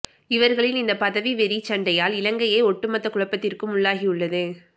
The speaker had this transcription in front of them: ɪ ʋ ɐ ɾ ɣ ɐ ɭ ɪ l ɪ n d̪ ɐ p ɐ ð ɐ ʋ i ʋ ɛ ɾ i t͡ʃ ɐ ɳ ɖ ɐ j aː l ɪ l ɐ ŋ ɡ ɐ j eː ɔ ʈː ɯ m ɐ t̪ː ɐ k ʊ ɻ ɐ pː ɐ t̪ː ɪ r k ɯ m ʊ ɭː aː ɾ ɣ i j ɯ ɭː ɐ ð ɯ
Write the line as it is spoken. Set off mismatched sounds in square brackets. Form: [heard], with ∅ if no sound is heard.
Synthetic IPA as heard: ɪ ʋ ɐ ɾ ɣ ɐ ɭ ɪ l ɪ n d̪ ɐ p ɐ ð ɐ ʋ i ʋ ɛ ɾ i t͡ʃ ɐ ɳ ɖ ɐ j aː l ɪ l ɐ ŋ ɡ ɐ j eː ɔ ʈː ɯ m ɐ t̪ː ɐ k ʊ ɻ ɐ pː ɐ t̪ː ɪ r k ɯ m ʊ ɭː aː [∅] ɣ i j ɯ ɭː ɐ ð ɯ

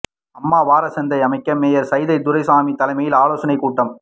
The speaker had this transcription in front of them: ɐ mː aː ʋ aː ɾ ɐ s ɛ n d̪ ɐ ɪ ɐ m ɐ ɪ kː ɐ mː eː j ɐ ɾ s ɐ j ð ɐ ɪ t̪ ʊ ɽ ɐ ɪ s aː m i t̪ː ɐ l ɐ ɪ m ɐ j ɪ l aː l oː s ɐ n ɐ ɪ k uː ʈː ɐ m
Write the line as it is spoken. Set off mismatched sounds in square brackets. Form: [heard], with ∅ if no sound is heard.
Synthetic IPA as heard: ɐ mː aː ʋ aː ɾ ɐ s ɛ n d̪ ɐ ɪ ɐ m ɐ ɪ kː ɐ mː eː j ɐ ɾ s ɐ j ð ɐ ɪ [d̪] ʊ [ɾ] ɐ ɪ s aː m i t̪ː ɐ l ɐ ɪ m ɐ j ɪ l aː l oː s ɐ n ɐ ɪ k uː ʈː ɐ m

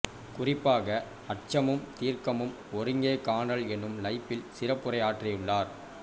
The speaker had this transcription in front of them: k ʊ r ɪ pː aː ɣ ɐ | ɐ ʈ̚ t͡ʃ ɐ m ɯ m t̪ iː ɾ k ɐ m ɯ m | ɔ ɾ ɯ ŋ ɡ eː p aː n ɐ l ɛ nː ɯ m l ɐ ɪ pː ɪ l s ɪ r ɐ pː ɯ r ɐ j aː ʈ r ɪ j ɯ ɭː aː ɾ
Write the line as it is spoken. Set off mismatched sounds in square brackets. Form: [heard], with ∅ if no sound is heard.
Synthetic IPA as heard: k ʊ r ɪ pː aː ɣ ɐ | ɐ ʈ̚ t͡ʃ ɐ m ɯ m t̪ iː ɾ k ɐ m ɯ m | ɔ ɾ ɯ ŋ ɡ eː [k] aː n ɐ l ɛ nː ɯ m l ɐ ɪ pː ɪ l s ɪ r ɐ pː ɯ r ɐ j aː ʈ r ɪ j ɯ ɭː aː ɾ

